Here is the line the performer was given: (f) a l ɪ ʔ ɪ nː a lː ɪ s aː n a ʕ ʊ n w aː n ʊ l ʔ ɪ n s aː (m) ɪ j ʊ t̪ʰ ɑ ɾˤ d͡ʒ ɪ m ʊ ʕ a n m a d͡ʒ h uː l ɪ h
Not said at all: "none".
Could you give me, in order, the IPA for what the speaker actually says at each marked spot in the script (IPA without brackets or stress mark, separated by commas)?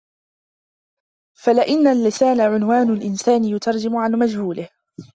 f, n